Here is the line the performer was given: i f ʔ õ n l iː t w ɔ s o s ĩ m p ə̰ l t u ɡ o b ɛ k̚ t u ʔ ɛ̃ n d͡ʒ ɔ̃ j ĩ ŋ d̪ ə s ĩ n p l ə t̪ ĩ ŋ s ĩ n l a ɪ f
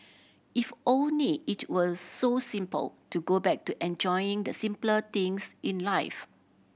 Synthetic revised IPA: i f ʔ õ n l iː t w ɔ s o s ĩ m p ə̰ l t u ɡ o b ɛ k̚ t u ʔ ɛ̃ n d͡ʒ ɔ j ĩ ŋ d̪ ə s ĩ m p l ə t̪ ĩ ŋ s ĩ n l a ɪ f